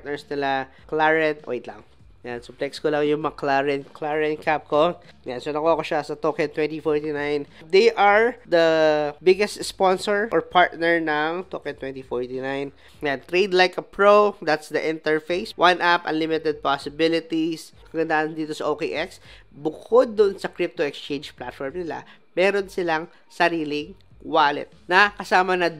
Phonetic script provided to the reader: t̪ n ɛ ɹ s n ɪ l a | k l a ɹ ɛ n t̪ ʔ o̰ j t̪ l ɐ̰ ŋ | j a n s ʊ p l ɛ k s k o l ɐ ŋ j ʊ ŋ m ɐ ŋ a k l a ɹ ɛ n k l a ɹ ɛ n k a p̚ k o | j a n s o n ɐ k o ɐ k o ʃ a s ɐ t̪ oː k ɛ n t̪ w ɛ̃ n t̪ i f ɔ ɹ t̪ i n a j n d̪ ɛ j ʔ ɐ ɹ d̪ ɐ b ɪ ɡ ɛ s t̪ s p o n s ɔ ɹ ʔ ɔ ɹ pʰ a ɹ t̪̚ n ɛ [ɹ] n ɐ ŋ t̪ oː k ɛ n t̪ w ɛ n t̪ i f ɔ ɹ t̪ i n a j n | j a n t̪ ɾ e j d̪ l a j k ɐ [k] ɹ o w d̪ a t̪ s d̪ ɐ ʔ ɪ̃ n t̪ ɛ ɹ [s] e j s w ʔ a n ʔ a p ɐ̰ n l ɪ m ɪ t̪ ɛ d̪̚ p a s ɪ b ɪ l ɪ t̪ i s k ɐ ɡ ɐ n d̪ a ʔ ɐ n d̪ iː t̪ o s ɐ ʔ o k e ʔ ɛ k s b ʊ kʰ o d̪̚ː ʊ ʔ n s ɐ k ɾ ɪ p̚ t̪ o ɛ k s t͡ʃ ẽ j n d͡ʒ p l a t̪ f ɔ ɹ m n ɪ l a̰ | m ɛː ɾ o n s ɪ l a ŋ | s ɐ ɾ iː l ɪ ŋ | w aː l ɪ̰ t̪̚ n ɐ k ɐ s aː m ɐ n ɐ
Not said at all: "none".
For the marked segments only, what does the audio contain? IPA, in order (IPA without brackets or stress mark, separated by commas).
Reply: ɹ, p, f